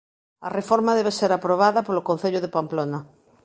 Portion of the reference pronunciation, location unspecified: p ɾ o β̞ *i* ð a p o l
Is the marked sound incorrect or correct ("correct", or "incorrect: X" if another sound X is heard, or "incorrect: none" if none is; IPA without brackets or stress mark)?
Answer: incorrect: a